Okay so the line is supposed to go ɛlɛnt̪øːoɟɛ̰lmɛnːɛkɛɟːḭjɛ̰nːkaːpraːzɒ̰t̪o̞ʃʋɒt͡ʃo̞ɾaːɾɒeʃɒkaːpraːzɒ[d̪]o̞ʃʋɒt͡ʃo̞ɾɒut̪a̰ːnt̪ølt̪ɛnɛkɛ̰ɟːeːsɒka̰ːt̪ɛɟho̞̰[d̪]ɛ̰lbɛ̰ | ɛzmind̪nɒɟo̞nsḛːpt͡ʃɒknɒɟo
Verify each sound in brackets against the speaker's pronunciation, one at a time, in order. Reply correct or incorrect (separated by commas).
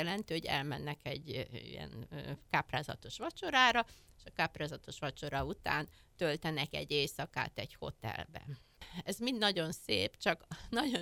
incorrect, incorrect